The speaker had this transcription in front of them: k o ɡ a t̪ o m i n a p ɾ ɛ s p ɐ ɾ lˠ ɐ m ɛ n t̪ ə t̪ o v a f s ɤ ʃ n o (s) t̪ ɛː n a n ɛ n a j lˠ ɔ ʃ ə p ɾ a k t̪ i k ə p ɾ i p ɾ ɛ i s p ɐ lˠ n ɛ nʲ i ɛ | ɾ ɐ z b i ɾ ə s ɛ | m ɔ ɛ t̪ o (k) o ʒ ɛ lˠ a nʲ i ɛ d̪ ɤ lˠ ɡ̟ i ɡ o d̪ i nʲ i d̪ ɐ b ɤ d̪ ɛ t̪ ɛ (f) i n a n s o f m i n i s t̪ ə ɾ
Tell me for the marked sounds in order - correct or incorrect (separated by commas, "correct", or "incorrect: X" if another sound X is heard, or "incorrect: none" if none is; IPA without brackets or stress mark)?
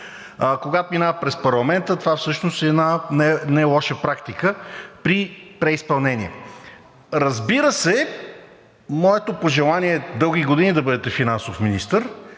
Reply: correct, incorrect: p, correct